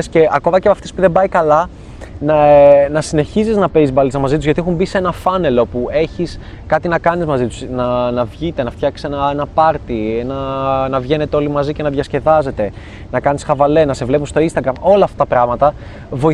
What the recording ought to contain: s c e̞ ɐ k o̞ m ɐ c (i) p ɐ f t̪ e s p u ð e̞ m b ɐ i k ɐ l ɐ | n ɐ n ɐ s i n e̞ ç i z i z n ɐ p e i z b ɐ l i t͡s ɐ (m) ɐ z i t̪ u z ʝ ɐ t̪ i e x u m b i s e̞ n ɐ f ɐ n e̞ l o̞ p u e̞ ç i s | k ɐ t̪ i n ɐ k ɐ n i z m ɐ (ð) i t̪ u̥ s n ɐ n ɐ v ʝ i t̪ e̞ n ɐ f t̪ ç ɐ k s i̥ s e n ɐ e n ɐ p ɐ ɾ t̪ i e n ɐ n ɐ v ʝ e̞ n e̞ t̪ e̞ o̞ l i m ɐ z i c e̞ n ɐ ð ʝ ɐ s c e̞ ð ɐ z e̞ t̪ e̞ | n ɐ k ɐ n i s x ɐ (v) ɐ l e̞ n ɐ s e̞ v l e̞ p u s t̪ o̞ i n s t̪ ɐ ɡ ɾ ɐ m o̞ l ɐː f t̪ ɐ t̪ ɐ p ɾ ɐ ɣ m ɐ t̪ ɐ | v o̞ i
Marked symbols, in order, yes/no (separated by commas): no, yes, no, yes